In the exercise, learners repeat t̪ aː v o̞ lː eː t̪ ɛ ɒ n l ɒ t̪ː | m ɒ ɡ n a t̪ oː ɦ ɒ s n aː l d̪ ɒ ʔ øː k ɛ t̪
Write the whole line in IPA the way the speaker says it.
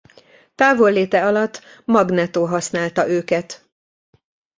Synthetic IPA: t̪ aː v o̞ lː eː t̪ ɛ ɒ l ɒ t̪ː | m ɒ ɡ n ɛ t̪ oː ɦ ɒ s n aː l t̪ ɒ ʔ øː k ɛ t̪